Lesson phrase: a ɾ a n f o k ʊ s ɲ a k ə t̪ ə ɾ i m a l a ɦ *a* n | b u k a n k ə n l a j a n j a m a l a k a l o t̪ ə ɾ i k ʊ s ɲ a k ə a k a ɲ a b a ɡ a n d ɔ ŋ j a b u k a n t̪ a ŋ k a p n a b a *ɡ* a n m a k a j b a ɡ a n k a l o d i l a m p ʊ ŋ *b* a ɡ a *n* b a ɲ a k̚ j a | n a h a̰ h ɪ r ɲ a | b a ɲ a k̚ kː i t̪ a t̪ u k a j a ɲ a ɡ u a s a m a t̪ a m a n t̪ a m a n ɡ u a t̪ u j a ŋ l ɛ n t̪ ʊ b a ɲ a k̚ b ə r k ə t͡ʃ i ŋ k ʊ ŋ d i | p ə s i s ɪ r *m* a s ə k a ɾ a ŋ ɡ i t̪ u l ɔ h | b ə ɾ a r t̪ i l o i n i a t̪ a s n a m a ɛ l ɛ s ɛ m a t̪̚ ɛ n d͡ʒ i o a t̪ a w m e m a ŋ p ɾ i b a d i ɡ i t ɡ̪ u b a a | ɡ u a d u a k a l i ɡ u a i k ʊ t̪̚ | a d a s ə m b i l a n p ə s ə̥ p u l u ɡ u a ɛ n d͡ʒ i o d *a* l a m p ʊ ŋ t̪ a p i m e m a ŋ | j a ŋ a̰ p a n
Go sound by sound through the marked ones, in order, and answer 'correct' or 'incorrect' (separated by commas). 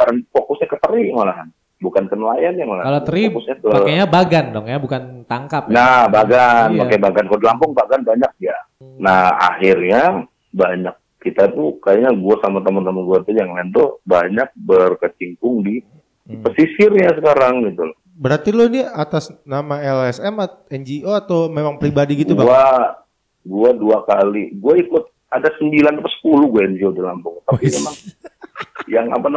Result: correct, correct, correct, correct, incorrect, incorrect